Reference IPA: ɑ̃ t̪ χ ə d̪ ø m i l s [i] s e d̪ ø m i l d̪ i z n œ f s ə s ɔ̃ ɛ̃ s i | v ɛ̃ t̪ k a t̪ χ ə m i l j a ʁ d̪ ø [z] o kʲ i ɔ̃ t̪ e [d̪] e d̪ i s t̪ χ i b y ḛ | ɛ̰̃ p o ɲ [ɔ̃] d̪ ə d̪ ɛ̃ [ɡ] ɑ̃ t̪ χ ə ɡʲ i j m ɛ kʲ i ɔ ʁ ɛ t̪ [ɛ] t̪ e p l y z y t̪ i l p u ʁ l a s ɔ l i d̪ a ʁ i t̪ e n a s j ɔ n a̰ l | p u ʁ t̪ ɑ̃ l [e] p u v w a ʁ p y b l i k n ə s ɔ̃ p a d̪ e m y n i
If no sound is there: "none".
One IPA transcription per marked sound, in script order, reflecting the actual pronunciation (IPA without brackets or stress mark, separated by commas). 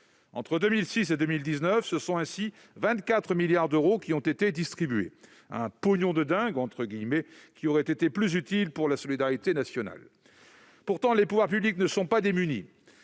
i, ʁ, t̪, ɔ̃, ɡ, e, e